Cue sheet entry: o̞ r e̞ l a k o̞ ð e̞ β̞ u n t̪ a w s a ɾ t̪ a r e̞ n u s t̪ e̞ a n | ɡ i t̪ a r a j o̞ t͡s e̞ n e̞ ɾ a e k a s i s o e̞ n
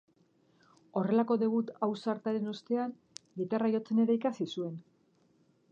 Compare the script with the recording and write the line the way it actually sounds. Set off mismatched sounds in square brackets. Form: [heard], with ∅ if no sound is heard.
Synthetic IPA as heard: o̞ r e̞ l a k o̞ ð e̞ β̞ u [∅] t̪ a w s a ɾ t̪ a [ɾ] e̞ n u s t̪ e̞ a n | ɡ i t̪ a r a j o̞ t͡s e̞ n e̞ ɾ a [i] k a s i s [u] e̞ n